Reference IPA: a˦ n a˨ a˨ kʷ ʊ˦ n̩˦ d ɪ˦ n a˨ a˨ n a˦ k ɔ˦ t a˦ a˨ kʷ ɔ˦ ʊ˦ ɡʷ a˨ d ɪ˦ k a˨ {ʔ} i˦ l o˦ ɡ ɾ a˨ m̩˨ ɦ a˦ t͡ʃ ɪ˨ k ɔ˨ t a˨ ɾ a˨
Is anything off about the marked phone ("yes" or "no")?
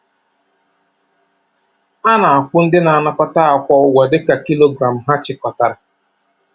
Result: yes